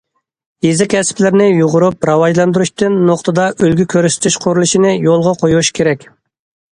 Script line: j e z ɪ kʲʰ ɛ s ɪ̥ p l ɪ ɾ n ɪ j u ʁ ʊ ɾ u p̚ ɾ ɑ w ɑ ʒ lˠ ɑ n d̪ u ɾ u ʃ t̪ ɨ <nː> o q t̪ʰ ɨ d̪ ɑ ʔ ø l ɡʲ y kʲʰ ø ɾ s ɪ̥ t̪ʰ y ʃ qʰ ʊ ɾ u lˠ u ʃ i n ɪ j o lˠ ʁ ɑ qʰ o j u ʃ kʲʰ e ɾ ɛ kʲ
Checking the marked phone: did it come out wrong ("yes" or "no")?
no